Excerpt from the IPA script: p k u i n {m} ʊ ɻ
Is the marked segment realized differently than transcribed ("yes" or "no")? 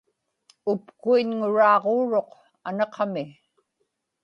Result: yes